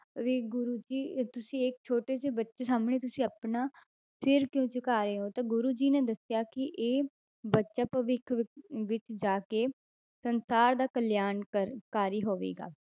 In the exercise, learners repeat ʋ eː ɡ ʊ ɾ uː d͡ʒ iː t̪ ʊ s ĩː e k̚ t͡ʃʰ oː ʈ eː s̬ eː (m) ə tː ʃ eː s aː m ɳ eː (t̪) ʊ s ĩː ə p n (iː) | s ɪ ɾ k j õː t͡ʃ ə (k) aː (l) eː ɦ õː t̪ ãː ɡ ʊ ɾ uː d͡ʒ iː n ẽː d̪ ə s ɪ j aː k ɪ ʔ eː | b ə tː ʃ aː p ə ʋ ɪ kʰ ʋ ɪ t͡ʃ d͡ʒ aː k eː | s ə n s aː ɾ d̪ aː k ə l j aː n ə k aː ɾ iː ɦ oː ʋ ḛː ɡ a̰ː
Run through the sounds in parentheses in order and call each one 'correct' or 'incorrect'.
incorrect: b, correct, incorrect: aː, correct, incorrect: ɾ

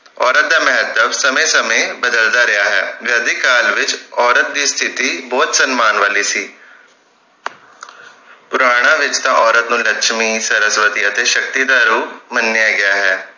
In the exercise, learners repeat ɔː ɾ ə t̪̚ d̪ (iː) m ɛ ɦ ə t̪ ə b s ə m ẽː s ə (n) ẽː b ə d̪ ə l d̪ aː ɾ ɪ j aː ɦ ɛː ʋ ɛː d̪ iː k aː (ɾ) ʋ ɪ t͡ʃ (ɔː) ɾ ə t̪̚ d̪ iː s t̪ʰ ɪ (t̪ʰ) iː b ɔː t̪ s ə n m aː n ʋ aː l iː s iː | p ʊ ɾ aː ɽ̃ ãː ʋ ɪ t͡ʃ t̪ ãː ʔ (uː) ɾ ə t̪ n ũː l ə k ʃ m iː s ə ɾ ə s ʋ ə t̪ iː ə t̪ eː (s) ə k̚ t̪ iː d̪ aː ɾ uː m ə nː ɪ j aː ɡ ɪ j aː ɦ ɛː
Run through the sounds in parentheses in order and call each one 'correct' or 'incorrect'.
incorrect: aː, incorrect: m, incorrect: l, correct, incorrect: t̪, incorrect: ɔː, incorrect: ʃ

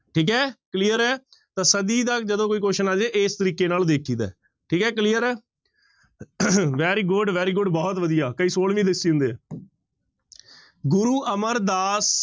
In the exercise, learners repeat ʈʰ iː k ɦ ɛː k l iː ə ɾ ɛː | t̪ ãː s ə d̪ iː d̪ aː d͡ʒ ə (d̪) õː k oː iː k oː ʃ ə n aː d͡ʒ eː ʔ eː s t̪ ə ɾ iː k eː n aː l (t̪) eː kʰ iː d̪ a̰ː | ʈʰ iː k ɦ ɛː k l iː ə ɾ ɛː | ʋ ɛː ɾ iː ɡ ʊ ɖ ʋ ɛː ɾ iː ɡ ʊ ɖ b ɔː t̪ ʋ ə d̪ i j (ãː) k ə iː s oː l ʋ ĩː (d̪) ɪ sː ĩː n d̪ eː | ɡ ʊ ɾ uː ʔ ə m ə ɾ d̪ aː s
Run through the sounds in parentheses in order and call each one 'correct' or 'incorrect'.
correct, incorrect: d̪, incorrect: aː, correct

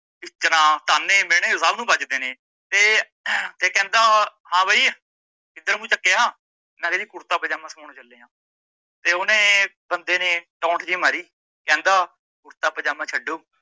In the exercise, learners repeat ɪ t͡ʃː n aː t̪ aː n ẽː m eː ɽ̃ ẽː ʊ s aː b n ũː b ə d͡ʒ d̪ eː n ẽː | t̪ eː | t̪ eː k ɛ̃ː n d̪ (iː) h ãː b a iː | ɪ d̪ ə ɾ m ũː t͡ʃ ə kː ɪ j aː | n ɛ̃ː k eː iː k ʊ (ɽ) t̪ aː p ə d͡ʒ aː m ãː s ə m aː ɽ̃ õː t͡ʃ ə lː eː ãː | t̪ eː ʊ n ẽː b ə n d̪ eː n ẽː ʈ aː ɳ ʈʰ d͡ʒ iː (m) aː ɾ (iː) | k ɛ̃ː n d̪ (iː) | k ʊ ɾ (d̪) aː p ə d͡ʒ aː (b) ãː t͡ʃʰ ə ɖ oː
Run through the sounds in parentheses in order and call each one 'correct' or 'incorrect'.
incorrect: aː, incorrect: ɾ, correct, correct, incorrect: aː, incorrect: t̪, incorrect: m

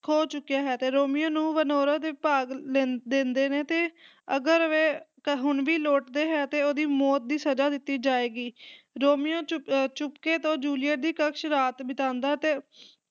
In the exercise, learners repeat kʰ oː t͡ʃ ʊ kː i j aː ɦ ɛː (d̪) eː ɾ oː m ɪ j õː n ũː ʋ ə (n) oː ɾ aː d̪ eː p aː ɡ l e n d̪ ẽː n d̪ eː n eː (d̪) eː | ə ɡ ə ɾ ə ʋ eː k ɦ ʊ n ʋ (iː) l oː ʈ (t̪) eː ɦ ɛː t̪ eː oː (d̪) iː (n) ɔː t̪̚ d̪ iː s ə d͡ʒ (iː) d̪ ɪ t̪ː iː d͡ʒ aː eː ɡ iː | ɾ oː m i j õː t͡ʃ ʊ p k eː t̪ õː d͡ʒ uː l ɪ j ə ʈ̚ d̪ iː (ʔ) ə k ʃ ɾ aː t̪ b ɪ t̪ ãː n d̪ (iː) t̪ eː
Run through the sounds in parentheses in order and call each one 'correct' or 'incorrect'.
incorrect: t̪, correct, incorrect: t̪, correct, incorrect: d̪, correct, incorrect: m, incorrect: aː, incorrect: k, incorrect: aː

